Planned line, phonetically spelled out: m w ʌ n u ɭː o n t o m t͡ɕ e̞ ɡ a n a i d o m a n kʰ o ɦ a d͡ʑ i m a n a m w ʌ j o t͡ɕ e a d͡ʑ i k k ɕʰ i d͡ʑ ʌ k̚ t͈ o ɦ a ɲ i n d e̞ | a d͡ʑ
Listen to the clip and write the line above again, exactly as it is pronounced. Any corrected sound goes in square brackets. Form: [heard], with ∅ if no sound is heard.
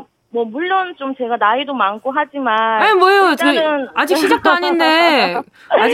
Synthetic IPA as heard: m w ʌ [m] u ɭː o n [t͡ɕ] o m t͡ɕ e̞ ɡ a n a i d o m a n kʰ o ɦ a d͡ʑ i m a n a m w ʌ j o t͡ɕ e a d͡ʑ i k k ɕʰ i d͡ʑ [a] k̚ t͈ o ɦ a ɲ i n d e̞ | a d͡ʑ